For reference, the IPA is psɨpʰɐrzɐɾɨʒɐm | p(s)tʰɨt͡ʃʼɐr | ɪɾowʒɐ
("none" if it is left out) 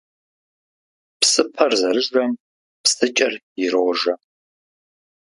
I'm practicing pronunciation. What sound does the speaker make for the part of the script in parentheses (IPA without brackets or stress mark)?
s